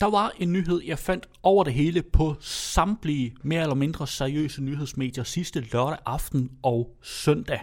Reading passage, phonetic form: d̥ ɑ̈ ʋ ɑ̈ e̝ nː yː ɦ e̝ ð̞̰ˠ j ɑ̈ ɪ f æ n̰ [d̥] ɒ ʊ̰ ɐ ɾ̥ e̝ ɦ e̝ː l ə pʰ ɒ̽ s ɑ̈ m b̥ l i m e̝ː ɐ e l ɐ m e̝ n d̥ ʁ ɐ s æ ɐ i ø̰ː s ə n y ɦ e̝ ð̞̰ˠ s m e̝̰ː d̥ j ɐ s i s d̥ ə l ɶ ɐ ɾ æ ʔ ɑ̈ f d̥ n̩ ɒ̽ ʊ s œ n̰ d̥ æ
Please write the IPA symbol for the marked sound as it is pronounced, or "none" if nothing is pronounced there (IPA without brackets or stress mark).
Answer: d̥